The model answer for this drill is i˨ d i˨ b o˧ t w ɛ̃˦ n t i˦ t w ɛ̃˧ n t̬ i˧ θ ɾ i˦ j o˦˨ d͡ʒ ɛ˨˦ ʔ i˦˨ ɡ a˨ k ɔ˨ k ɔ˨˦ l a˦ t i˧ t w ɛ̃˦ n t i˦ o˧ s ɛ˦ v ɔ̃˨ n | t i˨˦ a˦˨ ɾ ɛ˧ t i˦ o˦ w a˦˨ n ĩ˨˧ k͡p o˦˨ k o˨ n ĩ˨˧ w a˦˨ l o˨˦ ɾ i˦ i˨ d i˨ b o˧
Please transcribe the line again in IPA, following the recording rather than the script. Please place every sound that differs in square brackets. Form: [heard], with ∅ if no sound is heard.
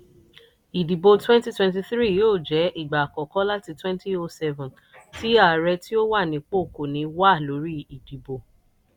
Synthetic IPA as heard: i˨ d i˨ b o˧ t w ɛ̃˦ n t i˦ t w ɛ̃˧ n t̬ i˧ θ ɾ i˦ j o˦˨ d͡ʒ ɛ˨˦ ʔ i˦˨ [ɡ͡b] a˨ k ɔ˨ k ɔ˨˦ l a˦ t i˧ t w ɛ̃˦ n t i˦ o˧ s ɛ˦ v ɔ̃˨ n | t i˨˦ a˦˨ ɾ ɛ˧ t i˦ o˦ w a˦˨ n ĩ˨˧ k͡p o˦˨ k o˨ n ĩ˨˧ w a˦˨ l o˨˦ ɾ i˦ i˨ d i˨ b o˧